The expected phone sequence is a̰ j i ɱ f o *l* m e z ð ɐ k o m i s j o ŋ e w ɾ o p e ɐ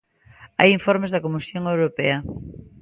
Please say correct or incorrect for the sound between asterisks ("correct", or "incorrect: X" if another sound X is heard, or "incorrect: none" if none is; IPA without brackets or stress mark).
incorrect: ɾ